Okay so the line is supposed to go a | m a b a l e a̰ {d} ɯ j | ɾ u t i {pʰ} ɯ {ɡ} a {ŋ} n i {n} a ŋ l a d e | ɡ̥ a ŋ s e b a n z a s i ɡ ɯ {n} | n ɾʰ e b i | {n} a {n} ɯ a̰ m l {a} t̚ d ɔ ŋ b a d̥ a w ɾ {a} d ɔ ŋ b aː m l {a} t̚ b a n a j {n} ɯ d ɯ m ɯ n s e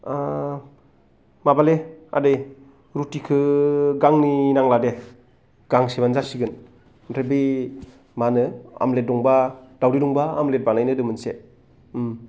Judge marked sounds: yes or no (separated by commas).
yes, no, yes, yes, yes, yes, no, yes, no, no, no, yes